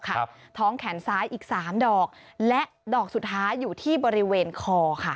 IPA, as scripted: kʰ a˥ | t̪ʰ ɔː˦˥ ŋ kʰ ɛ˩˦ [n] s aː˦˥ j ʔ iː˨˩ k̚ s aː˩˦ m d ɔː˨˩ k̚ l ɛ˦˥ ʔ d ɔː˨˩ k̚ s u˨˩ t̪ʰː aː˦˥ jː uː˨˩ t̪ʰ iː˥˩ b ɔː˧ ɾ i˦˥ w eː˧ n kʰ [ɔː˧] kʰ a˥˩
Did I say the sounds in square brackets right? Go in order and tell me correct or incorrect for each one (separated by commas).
correct, correct